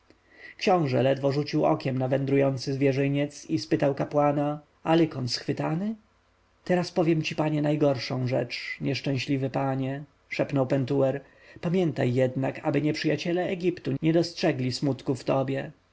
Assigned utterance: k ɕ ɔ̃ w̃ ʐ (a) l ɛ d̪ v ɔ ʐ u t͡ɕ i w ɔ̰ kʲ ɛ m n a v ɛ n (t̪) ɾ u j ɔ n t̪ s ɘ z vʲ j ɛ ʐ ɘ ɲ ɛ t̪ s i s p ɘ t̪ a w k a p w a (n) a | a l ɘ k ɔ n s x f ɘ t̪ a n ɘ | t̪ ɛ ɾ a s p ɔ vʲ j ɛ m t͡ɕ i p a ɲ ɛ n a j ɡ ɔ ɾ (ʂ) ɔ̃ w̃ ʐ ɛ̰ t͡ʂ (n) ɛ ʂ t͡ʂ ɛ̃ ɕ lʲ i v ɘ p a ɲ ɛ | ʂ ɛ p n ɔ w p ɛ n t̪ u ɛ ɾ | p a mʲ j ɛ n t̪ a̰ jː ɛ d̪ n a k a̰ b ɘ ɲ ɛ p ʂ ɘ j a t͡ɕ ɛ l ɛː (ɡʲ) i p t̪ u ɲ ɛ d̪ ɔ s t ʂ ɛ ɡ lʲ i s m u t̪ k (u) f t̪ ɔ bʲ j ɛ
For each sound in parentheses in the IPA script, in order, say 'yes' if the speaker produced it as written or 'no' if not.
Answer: no, no, yes, yes, no, yes, yes

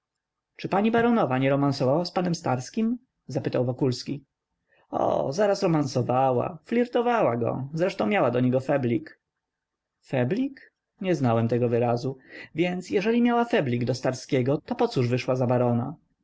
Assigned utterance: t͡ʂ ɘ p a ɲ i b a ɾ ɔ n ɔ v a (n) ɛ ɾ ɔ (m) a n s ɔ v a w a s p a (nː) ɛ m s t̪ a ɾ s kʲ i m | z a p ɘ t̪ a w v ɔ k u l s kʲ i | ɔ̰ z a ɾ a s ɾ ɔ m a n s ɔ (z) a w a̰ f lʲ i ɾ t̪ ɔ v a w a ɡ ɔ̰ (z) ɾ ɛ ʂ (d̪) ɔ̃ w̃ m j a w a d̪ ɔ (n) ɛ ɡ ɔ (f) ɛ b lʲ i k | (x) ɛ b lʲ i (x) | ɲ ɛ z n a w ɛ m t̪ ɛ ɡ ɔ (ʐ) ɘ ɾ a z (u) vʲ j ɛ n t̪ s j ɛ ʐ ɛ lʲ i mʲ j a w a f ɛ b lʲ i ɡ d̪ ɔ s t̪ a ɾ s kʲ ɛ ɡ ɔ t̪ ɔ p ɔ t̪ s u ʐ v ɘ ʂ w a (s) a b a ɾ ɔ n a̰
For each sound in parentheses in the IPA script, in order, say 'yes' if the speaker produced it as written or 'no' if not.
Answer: no, yes, no, no, yes, no, no, yes, no, no, no, yes, no

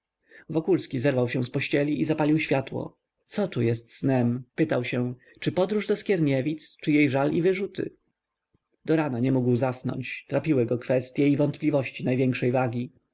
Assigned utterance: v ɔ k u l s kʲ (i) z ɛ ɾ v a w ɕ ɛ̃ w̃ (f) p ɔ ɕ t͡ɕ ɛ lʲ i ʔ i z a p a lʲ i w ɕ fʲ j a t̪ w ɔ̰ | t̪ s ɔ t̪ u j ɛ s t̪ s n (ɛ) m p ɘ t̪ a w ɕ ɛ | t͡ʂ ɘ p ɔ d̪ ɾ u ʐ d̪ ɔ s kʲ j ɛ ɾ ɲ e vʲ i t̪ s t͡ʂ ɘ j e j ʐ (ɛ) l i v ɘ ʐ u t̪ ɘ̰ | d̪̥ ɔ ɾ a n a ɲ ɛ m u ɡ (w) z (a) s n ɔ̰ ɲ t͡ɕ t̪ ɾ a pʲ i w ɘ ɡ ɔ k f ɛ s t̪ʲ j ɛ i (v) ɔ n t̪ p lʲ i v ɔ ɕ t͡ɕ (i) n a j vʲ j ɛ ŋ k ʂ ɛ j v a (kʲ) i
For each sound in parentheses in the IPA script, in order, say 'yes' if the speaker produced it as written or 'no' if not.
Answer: yes, no, yes, no, yes, yes, yes, yes, no

